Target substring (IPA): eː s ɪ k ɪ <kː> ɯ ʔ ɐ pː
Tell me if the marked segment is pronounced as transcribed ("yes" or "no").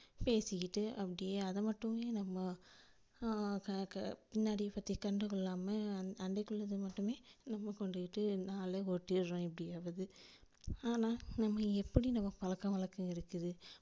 no